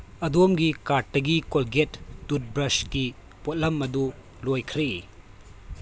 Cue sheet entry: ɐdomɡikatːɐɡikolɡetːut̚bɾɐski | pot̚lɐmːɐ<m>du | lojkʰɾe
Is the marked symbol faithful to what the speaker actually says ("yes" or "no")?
no